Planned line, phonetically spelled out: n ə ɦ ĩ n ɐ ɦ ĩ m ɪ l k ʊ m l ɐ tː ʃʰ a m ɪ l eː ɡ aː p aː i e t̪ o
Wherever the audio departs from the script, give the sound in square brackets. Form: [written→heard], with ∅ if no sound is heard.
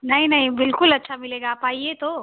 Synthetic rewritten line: n [ə→ɐ] ɦ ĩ n ɐ ɦ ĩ [m→b] ɪ l k ʊ [m→∅] l ɐ tː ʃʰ a m ɪ l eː ɡ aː p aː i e t̪ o

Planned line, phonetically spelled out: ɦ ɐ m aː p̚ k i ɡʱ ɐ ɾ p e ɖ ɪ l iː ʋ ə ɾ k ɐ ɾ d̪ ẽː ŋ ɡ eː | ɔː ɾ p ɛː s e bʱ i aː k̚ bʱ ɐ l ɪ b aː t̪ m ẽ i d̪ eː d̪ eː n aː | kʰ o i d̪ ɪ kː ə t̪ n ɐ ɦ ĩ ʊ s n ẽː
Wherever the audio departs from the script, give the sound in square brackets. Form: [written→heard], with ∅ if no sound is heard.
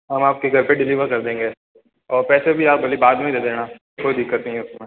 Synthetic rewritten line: ɦ ɐ m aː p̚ k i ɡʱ ɐ ɾ p e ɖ ɪ l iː ʋ ə ɾ k ɐ ɾ d̪ ẽː ŋ ɡ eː | ɔː ɾ p ɛː s e bʱ i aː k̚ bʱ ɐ l [ɪ→i] b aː [t̪→d̪] m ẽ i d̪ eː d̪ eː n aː | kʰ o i d̪ ɪ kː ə t̪ n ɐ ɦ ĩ ʊ s [n→m] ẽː

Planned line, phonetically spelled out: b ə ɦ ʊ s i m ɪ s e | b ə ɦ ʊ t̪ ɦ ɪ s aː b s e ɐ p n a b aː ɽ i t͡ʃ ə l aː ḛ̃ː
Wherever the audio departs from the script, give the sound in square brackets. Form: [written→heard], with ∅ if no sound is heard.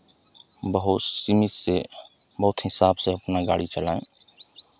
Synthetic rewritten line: b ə ɦ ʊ s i m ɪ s e | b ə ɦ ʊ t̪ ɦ ɪ s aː b s e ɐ p n a [b→ɡ] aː ɽ i t͡ʃ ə l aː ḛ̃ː

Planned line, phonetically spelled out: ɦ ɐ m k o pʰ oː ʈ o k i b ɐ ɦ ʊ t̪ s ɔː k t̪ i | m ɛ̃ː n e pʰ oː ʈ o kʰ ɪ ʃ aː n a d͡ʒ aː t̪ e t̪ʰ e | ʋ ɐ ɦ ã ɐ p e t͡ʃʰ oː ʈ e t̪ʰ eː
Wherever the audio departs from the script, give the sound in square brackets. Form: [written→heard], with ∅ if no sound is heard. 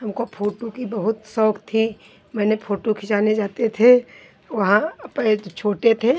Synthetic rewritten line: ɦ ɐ m k o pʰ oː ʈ o k i b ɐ ɦ ʊ t̪ s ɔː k [t̪→t̪ʰ] i | m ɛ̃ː n e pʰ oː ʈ o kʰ ɪ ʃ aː n [a→e] d͡ʒ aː t̪ e t̪ʰ e | ʋ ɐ ɦ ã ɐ p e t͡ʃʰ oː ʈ e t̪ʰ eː

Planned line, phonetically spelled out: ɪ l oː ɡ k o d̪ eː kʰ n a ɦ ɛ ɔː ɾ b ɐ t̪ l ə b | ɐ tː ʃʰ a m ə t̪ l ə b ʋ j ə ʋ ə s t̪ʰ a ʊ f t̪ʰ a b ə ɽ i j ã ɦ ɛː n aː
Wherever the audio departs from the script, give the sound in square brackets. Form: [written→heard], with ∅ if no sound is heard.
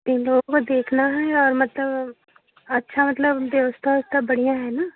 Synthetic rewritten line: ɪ l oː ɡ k o d̪ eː kʰ n a ɦ ɛ ɔː ɾ [b→m] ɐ t̪ l ə b | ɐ tː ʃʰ a m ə t̪ l ə b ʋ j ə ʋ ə s t̪ʰ a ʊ [f→s] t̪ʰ a b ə ɽ i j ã ɦ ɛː n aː

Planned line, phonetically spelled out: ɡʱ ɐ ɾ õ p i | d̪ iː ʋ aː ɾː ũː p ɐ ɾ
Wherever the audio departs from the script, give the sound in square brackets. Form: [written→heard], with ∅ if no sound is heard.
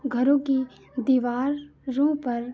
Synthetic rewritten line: ɡʱ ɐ ɾ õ [p→k] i | d̪ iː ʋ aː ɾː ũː p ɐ ɾ

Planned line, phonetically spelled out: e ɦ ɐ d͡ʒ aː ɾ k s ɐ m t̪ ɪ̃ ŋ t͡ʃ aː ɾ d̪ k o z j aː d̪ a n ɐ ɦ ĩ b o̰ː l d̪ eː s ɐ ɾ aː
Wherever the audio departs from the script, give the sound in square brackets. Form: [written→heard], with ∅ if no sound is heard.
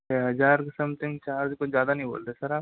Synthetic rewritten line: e ɦ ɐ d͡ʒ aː ɾ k s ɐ m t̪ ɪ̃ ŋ t͡ʃ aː ɾ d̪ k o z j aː d̪ a n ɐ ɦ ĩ b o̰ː l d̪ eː s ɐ ɾ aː

